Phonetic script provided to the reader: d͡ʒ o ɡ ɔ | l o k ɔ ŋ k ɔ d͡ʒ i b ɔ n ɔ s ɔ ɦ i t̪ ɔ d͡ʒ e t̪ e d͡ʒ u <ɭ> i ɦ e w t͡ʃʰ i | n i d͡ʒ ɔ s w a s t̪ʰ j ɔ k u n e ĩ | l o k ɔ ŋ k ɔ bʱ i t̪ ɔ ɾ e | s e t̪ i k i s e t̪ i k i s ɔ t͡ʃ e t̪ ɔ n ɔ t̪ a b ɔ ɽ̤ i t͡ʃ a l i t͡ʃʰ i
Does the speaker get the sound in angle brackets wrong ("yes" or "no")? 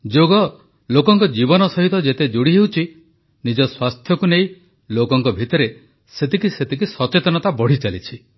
yes